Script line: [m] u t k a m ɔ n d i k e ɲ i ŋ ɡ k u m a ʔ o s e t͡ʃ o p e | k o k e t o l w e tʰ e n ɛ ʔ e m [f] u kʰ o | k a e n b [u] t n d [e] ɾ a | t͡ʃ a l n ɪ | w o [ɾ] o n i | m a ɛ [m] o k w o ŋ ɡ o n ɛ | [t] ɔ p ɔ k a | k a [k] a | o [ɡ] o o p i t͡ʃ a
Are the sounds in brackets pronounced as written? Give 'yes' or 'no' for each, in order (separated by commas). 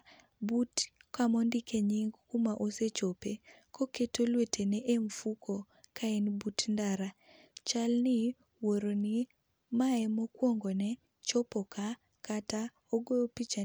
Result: no, yes, yes, no, yes, yes, no, no, yes